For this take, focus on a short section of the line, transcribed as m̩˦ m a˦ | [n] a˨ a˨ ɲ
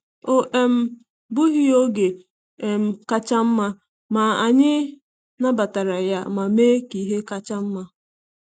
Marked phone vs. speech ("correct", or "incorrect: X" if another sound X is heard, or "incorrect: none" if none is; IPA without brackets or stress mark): incorrect: m